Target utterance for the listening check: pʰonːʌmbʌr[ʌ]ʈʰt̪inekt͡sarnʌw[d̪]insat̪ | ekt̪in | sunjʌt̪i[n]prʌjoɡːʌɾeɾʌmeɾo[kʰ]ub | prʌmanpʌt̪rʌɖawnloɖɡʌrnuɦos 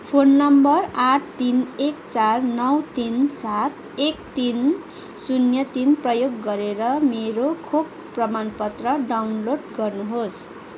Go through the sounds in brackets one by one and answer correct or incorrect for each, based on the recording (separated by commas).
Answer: incorrect, incorrect, correct, correct